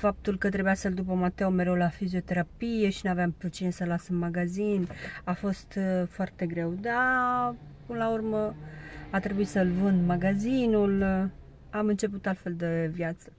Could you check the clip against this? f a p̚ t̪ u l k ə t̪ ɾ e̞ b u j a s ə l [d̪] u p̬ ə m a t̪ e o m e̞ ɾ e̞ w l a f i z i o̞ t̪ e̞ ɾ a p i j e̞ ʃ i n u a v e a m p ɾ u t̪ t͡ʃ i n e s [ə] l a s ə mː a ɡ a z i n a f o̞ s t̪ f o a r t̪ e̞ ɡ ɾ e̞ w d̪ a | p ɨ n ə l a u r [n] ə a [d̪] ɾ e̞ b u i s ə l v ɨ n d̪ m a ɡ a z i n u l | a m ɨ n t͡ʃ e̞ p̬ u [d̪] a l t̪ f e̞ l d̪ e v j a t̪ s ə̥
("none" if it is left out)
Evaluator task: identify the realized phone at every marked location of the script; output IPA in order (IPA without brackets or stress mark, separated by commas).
d̪, ə, m, t̪, t̪